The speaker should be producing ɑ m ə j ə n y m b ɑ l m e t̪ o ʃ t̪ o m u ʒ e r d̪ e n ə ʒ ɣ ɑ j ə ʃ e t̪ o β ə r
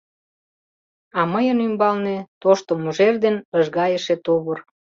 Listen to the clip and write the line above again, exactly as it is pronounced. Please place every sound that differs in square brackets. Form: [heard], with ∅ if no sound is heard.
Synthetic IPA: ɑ m ə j ə n y m b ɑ l [n] e t̪ o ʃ t̪ o m u ʒ e r d̪ e n ə ʒ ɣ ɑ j ə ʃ e t̪ o β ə r

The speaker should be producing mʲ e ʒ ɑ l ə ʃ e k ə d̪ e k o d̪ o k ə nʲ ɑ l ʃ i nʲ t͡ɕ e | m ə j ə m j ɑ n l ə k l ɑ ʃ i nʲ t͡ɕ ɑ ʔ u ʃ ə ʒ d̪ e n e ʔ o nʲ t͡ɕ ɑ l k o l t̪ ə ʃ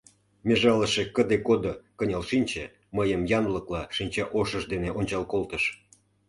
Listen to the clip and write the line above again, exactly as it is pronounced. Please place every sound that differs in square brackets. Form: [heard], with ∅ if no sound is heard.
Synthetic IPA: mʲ e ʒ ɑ l ə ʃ e k ə d̪ e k o d̪ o k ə nʲ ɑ l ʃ i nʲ t͡ɕ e | m ə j ə m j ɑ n l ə k l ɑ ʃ i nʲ t͡ɕ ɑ ʔ [o] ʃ ə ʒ d̪ e n e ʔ o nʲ t͡ɕ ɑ l k o l t̪ ə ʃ

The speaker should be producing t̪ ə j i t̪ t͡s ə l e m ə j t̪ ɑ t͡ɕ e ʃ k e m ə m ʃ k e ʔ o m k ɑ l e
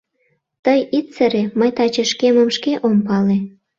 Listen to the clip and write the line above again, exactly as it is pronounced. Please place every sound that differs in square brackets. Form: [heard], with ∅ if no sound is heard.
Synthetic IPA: t̪ ə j i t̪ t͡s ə [ɾ] e m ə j t̪ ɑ t͡ɕ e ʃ k e m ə m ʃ k e ʔ o m [p] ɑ l e

